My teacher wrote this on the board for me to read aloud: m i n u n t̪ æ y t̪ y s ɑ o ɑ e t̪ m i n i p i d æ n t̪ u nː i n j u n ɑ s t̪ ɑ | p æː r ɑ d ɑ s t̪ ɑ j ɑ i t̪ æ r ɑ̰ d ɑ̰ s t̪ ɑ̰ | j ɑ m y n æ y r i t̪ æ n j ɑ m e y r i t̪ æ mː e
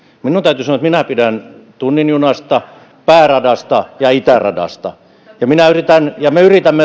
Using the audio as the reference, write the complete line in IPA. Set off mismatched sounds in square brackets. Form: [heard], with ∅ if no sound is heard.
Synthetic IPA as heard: m i n u n t̪ æ y t̪ y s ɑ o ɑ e t̪ m i n [æ] p i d æ n t̪ u nː i n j u n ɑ s t̪ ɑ | p æː r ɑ d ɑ s t̪ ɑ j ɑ i t̪ æ r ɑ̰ d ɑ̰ s t̪ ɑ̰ | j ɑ m [i] n æ y r i t̪ æ n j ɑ m e y r i t̪ æ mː e